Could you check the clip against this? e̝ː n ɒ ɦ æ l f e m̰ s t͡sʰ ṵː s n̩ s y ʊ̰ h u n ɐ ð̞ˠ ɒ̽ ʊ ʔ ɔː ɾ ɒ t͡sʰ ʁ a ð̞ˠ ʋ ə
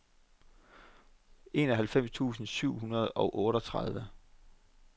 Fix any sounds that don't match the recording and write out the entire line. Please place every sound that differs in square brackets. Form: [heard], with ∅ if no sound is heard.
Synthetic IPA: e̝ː n ɒ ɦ æ l f e m̰ s t͡sʰ ṵː s n̩ s y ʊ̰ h u n ɐ ð̞ˠ ɒ̽ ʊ ʔ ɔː ɾ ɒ t͡sʰ ʁ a ð̞ˠ ʋ ə

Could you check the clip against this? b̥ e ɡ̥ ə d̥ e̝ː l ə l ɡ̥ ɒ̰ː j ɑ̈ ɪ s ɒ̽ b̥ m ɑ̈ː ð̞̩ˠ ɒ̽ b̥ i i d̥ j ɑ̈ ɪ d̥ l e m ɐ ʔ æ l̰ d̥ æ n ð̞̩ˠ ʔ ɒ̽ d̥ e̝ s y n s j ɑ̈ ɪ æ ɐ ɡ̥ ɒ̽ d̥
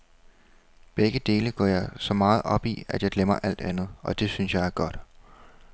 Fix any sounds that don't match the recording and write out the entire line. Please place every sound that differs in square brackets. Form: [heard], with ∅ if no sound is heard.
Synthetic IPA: b̥ e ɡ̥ ə d̥ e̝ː l ə [∅] ɡ̥ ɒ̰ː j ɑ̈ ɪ s ɒ̽ [∅] m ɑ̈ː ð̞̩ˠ ɒ̽ b̥ i [æ] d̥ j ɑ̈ ɪ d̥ l e m ɐ ʔ æ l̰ d̥ æ n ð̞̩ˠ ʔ ɒ̽ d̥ e̝ s y n s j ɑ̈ ɪ æ ɐ ɡ̥ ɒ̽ d̥

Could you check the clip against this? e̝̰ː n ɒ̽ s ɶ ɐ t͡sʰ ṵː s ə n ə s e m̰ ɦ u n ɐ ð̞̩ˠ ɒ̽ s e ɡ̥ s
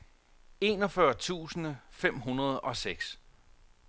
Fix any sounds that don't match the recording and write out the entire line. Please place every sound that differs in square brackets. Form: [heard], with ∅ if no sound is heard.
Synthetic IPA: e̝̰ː n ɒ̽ [f] ɶ ɐ t͡sʰ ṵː s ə n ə [f] e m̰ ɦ u n ɐ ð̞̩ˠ ɒ̽ s e ɡ̥ s

